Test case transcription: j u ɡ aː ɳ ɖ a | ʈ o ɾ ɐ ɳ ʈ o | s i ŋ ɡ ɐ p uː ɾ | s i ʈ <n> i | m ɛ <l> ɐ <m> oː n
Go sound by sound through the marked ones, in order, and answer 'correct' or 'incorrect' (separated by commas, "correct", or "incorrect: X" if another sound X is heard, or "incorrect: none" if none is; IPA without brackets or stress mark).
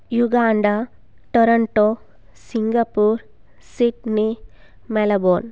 correct, correct, incorrect: b